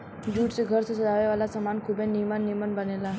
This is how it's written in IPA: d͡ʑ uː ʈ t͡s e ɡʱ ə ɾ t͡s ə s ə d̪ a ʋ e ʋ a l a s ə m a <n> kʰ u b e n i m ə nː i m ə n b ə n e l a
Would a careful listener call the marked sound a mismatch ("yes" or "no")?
no